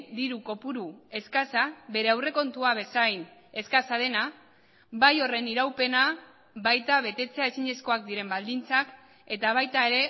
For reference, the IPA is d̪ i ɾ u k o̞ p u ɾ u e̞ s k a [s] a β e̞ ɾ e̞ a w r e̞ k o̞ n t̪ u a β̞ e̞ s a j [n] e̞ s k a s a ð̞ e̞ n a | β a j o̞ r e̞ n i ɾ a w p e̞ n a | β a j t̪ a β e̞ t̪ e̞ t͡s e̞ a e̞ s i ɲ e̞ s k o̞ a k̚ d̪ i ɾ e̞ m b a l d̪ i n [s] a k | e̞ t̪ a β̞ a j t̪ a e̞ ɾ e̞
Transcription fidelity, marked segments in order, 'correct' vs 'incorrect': correct, correct, incorrect

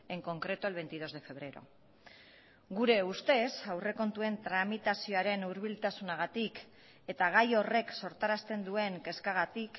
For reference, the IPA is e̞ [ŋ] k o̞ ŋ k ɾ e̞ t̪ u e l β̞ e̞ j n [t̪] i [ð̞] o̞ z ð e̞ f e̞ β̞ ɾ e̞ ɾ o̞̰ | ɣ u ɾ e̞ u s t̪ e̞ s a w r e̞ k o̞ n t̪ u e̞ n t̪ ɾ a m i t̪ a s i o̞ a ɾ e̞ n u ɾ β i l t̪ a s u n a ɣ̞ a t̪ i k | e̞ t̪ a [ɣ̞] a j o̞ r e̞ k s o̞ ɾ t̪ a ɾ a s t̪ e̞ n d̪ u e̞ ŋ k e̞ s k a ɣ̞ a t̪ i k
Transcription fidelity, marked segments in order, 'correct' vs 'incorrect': correct, correct, correct, correct

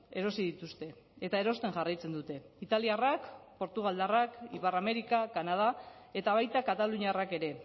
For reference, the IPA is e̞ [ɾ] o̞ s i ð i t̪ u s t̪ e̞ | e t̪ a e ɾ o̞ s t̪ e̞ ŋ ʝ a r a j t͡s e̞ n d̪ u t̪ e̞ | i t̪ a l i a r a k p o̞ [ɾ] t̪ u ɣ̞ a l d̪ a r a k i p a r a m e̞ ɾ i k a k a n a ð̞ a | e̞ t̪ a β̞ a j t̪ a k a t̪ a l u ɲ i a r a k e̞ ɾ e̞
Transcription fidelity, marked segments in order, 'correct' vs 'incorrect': correct, correct

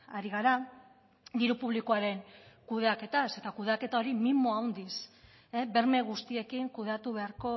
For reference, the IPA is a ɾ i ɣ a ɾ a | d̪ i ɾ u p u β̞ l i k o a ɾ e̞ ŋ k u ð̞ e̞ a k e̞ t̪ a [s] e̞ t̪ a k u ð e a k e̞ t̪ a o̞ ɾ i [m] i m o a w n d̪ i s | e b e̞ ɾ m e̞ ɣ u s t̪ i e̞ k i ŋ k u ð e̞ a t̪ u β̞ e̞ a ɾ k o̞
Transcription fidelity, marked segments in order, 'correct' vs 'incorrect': correct, correct

